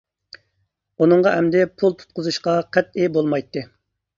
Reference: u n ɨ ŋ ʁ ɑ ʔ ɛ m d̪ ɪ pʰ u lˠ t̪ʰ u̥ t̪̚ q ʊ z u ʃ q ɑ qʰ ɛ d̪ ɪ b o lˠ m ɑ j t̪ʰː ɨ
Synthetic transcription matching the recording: u n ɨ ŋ ʁ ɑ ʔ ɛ m d̪ ɪ pʰ u lˠ t̪ʰ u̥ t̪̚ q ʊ z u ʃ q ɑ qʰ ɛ t̪ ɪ b o lˠ m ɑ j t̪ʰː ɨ